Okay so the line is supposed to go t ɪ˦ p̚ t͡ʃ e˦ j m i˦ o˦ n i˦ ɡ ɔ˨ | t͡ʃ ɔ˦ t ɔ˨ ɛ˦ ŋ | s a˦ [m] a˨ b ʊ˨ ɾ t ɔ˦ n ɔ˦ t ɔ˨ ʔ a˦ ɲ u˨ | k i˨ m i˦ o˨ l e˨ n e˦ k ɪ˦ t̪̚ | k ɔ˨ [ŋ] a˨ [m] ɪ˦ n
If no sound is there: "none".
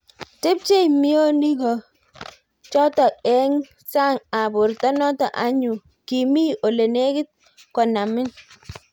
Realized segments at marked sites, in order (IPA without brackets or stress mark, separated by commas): ŋ, n, m